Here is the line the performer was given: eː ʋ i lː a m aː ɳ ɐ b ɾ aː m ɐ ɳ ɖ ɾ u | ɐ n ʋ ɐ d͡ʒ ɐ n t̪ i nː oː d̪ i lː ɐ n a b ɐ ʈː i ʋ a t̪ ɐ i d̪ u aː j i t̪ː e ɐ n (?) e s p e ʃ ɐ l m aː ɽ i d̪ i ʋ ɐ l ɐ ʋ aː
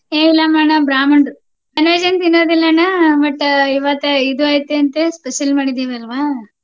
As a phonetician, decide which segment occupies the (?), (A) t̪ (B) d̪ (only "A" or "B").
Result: A